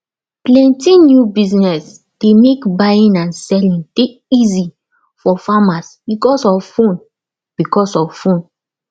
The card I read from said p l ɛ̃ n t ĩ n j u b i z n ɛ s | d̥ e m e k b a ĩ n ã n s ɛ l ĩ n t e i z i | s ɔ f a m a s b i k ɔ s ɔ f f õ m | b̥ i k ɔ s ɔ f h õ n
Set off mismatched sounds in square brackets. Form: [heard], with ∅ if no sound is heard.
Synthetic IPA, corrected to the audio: p l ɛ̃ n t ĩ n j u b i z n ɛ s | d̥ e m e k b a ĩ n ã n s ɛ l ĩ n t e i z i | [f] ɔ f a m a s b i k ɔ s ɔ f f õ [n] | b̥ i k ɔ s ɔ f [f] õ n